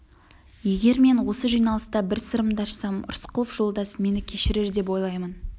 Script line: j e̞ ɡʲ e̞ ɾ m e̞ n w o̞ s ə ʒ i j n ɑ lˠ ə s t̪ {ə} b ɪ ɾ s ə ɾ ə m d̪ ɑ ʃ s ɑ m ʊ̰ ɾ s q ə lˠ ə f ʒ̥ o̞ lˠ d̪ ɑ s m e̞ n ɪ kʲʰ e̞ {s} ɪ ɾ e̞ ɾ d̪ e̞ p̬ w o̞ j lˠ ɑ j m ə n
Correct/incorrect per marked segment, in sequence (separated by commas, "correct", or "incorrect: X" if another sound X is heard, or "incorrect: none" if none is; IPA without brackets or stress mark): incorrect: ɑ, incorrect: ʃ